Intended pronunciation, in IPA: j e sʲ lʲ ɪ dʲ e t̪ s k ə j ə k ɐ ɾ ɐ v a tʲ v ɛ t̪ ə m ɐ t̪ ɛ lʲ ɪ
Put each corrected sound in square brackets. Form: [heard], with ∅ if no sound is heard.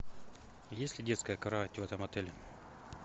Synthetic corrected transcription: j e sʲ lʲ ɪ dʲ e t̪ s k ə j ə k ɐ ɾ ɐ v a tʲ v ɛ t̪ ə m ɐ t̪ ɛ lʲ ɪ